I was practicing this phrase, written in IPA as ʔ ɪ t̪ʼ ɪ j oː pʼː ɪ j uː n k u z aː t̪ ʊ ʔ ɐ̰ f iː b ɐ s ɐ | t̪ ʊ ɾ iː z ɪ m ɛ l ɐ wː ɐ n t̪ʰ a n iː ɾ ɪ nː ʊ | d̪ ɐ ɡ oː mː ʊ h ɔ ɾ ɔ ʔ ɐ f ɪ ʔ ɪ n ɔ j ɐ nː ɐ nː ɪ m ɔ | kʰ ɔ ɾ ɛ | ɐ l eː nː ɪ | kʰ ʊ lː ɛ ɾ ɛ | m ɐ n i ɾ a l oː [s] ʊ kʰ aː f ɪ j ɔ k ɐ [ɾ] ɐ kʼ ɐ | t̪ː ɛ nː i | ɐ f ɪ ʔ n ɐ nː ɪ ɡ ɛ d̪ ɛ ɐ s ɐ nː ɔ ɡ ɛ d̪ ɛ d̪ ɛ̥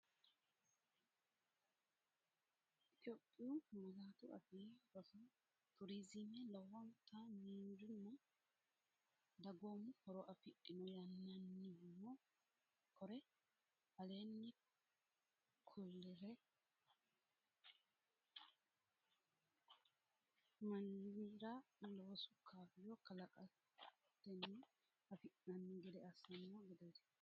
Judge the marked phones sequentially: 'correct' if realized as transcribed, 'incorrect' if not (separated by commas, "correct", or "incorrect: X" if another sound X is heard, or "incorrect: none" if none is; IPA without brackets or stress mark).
correct, incorrect: l